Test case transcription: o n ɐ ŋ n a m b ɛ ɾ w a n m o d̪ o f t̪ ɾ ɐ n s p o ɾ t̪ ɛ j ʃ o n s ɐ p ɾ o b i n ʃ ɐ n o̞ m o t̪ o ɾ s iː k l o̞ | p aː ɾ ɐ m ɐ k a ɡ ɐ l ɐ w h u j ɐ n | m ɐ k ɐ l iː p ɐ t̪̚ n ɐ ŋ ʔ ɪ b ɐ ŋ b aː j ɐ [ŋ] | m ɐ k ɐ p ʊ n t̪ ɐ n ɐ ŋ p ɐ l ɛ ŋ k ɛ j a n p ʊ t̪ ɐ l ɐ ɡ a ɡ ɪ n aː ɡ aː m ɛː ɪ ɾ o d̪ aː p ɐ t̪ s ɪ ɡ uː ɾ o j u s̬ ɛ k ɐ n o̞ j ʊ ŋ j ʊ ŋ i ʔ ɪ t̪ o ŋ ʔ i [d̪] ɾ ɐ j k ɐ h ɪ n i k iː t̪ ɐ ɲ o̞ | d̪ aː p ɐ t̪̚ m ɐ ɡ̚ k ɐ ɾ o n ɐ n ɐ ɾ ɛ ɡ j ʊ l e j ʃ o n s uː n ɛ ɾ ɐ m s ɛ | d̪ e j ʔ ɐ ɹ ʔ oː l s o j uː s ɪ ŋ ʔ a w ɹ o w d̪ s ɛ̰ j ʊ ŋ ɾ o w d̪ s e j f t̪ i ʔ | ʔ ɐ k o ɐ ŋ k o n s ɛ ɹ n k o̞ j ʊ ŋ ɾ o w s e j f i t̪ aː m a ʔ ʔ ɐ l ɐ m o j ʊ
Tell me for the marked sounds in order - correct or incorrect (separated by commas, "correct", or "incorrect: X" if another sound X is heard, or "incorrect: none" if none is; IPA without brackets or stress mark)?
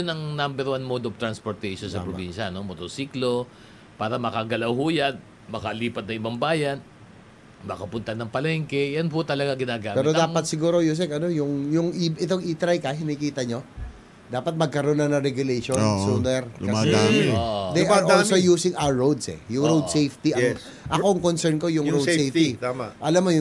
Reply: incorrect: n, incorrect: t̪